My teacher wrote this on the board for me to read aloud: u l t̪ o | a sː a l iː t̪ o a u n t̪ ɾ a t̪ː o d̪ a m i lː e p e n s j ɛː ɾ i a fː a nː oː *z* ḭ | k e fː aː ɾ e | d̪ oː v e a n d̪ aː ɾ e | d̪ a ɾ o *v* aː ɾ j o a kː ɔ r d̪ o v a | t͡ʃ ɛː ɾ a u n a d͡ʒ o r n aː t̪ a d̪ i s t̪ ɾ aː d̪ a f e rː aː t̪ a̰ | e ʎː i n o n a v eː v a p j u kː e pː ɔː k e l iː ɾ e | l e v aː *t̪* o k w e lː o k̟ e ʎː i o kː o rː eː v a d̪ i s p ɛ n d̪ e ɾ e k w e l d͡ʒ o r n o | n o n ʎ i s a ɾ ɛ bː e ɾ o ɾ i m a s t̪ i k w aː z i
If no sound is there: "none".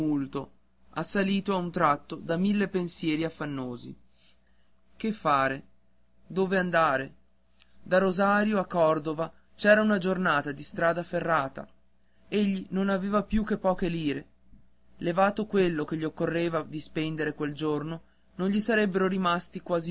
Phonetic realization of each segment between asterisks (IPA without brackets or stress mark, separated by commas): z, z, t̪